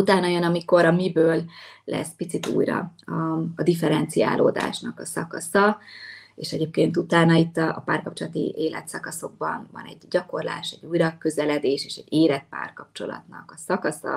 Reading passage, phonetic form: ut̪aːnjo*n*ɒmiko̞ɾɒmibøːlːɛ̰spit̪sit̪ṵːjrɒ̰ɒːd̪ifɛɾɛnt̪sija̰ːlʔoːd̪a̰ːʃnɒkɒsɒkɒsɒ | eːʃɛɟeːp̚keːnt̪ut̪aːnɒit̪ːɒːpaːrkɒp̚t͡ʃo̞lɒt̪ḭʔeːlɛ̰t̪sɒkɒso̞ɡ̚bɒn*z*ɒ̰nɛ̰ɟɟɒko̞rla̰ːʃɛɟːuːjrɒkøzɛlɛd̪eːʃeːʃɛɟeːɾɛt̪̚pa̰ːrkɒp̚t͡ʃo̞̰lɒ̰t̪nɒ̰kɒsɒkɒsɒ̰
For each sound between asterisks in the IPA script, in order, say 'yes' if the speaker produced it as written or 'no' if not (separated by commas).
yes, no